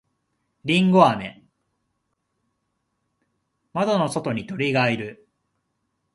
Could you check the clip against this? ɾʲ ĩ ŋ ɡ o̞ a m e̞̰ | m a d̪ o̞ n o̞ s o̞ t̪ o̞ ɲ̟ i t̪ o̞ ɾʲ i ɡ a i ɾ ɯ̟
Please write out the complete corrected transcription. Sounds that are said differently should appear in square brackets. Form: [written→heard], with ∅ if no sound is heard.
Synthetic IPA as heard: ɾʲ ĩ ŋ ɡ o̞ a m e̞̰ | m a d̪ o̞ n o̞ s o̞ t̪ o̞ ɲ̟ i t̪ o̞ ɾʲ i ɡ a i ɾ ɯ̟